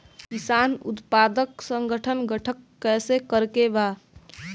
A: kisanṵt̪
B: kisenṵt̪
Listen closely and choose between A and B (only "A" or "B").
A